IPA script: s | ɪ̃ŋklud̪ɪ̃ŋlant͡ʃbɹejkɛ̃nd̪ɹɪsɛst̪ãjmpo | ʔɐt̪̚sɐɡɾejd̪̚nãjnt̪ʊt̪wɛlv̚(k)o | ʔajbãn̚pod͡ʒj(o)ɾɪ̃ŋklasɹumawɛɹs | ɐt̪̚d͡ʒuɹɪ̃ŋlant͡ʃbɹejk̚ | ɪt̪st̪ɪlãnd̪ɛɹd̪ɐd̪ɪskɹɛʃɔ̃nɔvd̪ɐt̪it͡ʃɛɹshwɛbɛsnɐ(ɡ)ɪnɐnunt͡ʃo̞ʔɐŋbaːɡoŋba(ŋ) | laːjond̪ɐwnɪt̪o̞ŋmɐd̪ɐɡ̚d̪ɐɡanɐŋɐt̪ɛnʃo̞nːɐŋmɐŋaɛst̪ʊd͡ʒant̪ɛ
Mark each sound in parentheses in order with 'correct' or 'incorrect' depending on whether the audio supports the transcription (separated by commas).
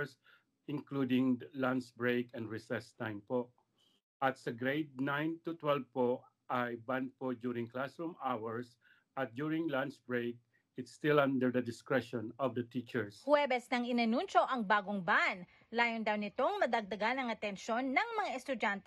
incorrect, incorrect, incorrect, incorrect